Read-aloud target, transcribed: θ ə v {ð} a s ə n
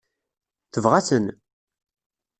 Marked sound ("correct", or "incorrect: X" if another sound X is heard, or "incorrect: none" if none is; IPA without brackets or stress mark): incorrect: ʁ